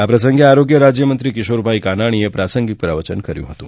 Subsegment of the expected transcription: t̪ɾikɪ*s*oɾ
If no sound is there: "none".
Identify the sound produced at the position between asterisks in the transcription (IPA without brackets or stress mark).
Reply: ʃ